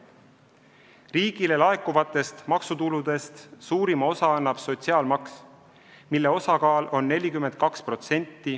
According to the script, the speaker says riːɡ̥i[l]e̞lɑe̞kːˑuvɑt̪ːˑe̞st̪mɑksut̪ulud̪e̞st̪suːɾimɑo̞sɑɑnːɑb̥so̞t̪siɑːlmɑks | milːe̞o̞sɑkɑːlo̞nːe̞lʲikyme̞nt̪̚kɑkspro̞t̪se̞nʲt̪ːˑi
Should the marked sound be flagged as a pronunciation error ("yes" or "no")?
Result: no